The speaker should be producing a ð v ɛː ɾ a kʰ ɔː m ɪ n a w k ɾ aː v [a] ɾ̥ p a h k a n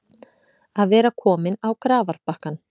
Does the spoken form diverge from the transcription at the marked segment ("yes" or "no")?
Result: no